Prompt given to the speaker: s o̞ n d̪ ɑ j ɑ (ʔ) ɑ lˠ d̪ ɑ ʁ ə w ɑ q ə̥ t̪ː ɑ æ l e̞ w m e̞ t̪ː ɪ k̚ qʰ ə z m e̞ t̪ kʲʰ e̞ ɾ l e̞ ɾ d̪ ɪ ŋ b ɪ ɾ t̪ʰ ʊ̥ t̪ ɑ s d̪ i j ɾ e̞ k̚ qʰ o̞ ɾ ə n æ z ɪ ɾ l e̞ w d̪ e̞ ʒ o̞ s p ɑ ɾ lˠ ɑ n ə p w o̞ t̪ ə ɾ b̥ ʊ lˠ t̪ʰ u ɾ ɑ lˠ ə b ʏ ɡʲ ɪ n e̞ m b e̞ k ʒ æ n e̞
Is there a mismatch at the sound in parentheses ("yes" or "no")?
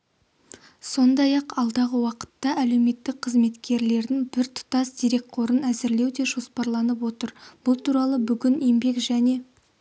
yes